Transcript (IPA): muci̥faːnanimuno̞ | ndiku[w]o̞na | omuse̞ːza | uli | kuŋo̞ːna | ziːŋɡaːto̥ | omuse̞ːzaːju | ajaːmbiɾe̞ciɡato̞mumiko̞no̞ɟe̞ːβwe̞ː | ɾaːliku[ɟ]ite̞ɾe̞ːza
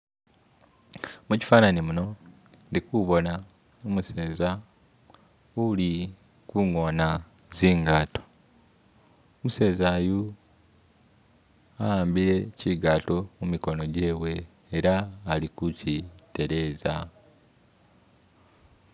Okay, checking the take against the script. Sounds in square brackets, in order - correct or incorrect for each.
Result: incorrect, incorrect

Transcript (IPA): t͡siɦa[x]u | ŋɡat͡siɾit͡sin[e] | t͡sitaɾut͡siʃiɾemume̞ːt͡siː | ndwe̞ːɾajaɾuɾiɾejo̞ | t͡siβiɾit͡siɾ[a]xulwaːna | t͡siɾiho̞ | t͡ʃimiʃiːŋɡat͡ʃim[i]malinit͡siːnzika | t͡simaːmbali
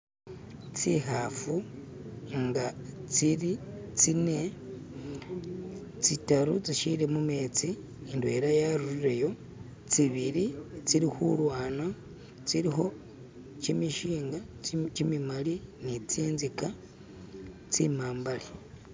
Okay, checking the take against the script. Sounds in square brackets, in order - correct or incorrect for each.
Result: incorrect, correct, incorrect, correct

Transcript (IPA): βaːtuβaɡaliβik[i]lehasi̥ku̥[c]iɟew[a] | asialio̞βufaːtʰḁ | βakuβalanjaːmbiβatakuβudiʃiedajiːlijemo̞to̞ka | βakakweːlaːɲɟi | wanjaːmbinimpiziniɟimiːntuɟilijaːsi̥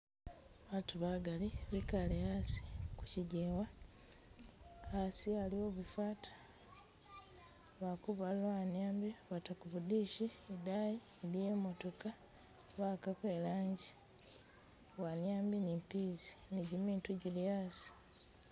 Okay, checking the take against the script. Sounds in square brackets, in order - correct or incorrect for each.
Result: incorrect, correct, correct

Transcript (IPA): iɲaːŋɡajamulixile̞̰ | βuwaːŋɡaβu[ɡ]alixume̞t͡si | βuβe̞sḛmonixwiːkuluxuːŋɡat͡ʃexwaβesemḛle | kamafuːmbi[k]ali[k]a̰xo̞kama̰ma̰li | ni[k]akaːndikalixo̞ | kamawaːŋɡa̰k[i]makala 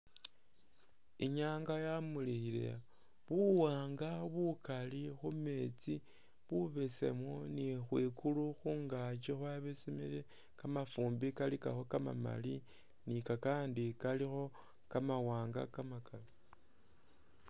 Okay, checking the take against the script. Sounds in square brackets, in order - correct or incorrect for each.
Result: incorrect, correct, correct, correct, incorrect

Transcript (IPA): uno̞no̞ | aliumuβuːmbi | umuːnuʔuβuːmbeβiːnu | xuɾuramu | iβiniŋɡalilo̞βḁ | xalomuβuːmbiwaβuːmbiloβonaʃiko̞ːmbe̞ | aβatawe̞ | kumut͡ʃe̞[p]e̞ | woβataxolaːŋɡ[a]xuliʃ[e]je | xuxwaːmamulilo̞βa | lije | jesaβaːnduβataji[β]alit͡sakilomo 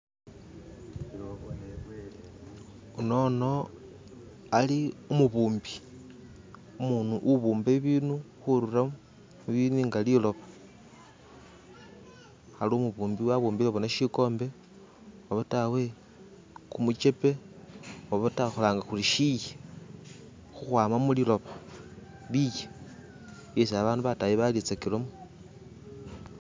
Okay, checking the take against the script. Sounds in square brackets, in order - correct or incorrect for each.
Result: correct, correct, incorrect, correct

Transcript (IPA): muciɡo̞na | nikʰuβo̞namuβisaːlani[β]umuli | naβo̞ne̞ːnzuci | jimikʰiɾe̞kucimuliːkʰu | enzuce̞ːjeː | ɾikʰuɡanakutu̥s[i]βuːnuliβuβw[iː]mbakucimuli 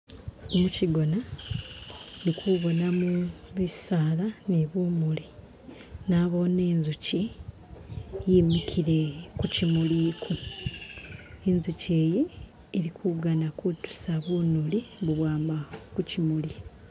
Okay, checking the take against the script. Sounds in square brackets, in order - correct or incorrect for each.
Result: correct, incorrect, incorrect

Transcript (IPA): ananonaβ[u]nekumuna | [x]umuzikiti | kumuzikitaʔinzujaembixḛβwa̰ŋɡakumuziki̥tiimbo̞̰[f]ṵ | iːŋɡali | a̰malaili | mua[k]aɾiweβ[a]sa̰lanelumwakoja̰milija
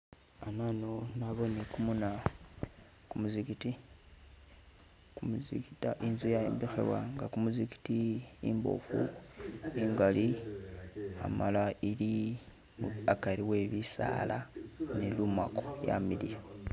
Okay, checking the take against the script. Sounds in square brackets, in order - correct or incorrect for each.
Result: incorrect, incorrect, correct, correct, incorrect

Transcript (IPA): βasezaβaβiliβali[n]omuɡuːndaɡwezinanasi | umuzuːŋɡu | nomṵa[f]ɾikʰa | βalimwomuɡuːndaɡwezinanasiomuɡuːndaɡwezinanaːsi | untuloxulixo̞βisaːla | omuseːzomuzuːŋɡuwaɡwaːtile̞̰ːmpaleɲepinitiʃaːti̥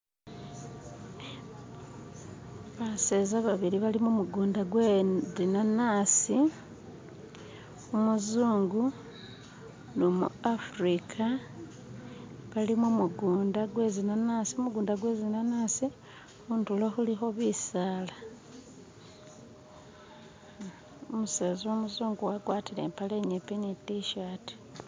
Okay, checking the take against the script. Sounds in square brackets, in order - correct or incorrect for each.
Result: incorrect, correct

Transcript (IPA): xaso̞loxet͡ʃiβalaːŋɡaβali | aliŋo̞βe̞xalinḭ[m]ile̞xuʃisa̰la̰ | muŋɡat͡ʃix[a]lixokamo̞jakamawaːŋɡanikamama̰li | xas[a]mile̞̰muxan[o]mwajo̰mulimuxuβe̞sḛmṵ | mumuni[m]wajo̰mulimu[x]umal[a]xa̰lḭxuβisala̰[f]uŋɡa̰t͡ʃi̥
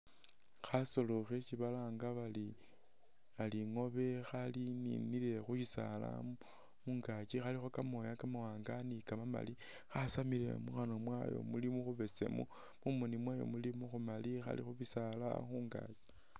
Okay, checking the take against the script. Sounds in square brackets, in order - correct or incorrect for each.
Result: incorrect, correct, correct, correct, correct, correct, incorrect, incorrect

